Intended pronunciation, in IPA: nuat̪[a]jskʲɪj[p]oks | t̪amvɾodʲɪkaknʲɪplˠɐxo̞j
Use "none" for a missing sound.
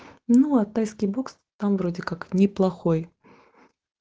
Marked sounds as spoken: a, b

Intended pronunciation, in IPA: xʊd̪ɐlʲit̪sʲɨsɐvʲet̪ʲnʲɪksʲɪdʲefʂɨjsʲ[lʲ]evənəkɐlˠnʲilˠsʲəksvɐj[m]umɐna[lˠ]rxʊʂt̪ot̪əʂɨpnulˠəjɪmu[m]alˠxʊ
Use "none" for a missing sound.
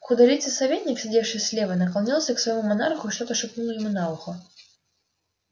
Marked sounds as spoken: lʲ, m, none, n

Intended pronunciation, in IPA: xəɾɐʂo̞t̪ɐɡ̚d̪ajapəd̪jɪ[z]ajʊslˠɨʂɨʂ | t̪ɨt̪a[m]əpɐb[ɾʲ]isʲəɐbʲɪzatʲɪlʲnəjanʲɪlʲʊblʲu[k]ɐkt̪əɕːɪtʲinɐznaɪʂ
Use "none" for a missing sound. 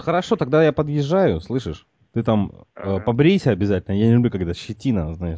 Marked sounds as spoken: ʐ, m, ɾʲ, k

